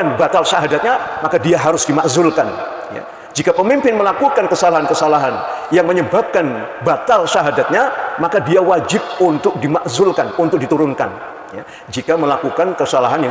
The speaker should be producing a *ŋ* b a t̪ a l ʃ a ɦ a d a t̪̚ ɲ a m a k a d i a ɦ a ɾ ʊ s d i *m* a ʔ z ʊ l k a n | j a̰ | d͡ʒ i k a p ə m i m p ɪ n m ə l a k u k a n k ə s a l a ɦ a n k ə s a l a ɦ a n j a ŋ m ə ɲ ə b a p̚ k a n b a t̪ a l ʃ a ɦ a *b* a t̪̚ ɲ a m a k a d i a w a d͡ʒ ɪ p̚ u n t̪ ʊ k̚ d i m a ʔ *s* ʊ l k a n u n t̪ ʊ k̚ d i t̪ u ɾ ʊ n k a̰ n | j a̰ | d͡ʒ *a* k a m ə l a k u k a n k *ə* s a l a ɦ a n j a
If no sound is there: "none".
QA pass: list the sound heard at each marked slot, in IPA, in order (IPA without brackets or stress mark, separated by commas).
n, m, d, z, i, ə